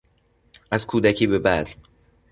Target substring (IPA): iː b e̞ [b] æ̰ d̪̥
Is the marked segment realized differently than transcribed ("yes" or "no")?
no